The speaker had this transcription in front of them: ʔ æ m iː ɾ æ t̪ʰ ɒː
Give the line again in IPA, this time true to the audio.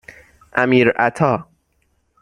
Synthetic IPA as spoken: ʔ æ m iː ɾ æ t̪ʰ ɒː